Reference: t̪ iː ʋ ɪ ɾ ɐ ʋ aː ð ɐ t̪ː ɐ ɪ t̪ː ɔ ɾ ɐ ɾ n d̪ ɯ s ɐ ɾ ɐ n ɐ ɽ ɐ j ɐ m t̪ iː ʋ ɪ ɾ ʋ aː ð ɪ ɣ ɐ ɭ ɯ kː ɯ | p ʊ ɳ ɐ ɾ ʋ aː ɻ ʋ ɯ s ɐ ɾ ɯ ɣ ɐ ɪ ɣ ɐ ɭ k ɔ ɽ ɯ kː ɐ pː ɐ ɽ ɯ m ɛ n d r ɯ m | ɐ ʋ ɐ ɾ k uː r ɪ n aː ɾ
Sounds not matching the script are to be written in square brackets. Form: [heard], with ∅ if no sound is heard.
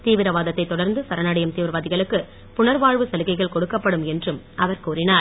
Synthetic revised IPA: t̪ iː ʋ ɪ ɾ ɐ ʋ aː ð ɐ t̪ː ɐ ɪ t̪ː ɔ [ɽ] ɐ ɾ n d̪ ɯ s ɐ ɾ ɐ n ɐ ɽ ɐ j ɐ m t̪ iː ʋ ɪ ɾ ʋ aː ð ɪ ɣ ɐ ɭ ɯ kː ɯ | p ʊ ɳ ɐ ɾ ʋ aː ɻ ʋ ɯ s ɐ [l] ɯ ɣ ɐ ɪ ɣ ɐ ɭ k ɔ ɽ ɯ kː ɐ pː ɐ ɽ ɯ m ɛ n d r ɯ m | ɐ ʋ ɐ ɾ k uː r ɪ n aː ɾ